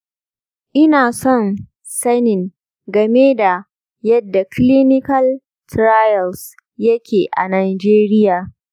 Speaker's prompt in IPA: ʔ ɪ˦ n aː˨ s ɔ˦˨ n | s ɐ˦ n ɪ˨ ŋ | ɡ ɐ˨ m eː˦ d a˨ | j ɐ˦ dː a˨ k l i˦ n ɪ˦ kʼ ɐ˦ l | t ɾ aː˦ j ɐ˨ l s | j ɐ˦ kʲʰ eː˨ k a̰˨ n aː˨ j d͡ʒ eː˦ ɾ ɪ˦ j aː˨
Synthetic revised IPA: ʔ ɪ˦ n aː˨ s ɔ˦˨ n | s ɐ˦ n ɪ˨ ŋ | ɡ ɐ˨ m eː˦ d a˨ | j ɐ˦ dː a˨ k l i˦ n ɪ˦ k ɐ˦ l | t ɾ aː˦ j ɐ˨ l s | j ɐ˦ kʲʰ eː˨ ʔ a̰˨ n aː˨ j d͡ʒ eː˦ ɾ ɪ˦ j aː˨